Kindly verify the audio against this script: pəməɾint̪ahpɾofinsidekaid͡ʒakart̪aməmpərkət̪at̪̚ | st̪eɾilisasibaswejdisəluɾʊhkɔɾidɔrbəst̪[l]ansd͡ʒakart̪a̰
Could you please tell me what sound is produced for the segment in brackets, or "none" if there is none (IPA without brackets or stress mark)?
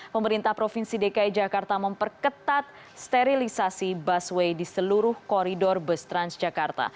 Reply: ɾ